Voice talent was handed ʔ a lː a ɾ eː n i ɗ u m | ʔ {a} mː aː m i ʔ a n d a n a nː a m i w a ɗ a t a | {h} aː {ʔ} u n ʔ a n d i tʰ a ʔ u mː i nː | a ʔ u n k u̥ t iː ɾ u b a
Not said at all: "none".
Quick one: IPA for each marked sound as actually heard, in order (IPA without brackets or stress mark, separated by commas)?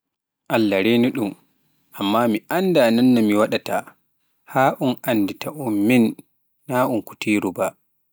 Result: a, h, ʔ